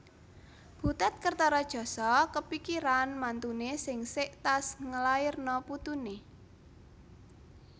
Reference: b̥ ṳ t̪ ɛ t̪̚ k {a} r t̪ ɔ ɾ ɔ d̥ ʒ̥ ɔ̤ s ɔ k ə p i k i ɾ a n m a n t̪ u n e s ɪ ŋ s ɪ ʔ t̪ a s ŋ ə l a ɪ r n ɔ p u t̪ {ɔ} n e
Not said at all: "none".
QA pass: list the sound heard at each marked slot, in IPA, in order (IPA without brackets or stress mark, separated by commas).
ə, u